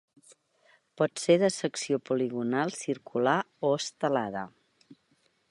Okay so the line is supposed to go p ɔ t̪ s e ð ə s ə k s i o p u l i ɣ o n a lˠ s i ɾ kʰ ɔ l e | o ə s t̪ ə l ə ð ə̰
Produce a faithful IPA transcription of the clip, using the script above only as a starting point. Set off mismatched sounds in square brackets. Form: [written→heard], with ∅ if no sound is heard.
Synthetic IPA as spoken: p ɔ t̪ s e ð ə s ə k s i o p u l i ɣ [o→u] n a lˠ s i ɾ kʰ [ɔ→u] l [e→a] | o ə s t̪ ə l [ə→a] ð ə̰